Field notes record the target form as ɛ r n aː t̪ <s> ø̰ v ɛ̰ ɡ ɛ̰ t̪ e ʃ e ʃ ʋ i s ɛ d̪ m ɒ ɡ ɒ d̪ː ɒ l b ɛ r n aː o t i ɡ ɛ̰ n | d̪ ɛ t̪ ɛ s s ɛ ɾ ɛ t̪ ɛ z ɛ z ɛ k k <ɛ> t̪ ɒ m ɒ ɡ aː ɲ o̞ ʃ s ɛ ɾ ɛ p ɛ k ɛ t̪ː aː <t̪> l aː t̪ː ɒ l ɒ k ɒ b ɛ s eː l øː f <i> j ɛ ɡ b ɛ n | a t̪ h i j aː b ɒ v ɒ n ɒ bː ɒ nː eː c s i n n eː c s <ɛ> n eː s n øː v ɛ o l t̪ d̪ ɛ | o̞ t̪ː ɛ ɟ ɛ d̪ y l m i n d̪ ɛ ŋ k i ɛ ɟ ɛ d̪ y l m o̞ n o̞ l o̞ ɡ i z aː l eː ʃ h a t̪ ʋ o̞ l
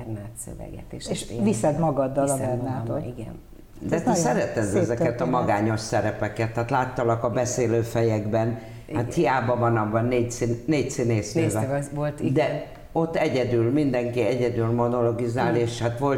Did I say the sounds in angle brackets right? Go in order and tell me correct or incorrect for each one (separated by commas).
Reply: correct, correct, correct, incorrect, incorrect